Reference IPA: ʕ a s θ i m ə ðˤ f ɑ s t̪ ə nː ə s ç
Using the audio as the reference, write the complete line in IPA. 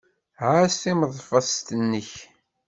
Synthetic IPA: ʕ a s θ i m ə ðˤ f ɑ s t̪ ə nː ə ç